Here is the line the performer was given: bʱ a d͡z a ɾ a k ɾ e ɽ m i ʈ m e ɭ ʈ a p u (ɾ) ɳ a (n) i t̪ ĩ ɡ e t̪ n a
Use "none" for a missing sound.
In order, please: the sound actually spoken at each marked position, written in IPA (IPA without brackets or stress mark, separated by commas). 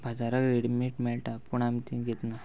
none, m